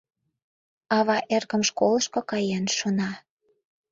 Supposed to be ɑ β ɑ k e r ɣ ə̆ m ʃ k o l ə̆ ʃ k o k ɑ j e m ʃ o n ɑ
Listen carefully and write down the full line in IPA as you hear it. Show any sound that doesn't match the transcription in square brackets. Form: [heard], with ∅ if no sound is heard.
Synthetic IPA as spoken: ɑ β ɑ [ʔ] e r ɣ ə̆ m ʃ k o l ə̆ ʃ k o k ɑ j e [n] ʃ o n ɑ